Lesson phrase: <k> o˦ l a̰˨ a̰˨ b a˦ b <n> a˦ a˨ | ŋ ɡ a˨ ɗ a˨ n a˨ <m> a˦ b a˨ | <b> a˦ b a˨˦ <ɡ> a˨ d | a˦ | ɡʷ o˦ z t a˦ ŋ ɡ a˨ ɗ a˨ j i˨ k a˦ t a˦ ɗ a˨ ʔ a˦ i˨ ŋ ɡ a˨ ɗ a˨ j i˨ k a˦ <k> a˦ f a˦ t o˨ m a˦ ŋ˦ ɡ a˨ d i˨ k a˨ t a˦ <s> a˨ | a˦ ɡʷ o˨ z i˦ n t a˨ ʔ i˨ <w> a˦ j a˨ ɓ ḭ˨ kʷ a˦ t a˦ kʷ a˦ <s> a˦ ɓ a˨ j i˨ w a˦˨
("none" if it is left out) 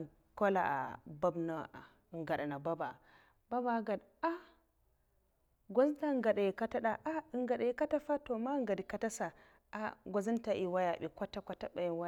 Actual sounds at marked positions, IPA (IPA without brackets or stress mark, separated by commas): k, n, b, b, ɡ, t, s, w, t